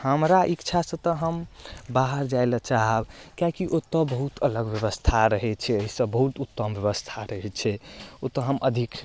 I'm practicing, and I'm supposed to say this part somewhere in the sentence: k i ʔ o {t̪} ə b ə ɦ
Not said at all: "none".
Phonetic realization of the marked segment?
t̪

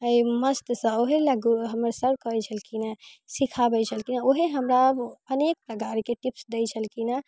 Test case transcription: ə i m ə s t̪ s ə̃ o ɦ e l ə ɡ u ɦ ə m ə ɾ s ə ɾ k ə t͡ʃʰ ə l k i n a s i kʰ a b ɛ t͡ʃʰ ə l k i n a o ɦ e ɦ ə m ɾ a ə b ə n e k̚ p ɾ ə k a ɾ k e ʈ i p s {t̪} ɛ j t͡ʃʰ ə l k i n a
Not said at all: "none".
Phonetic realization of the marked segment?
d̪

